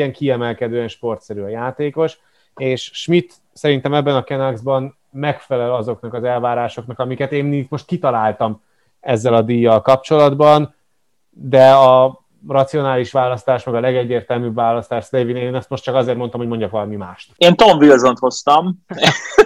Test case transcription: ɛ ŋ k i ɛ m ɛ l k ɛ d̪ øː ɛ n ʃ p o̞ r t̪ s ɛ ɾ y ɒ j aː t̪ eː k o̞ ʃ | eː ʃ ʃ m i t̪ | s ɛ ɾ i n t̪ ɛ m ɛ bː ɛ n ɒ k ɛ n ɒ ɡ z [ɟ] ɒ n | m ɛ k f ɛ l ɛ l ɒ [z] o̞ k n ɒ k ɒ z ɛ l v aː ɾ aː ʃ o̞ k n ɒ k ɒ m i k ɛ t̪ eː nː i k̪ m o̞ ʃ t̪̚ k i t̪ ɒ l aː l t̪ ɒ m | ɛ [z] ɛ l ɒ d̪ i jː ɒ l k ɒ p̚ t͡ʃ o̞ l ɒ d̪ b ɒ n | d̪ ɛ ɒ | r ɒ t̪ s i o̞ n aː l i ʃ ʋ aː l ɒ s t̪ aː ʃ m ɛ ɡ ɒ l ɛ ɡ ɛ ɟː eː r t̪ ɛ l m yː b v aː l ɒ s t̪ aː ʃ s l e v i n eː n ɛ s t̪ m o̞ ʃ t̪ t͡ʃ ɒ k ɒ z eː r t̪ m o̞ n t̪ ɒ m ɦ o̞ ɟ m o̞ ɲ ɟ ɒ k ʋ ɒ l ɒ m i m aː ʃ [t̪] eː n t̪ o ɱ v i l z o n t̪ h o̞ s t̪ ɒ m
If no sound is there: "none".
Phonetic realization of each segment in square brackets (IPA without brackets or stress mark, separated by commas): b, z, zː, t̪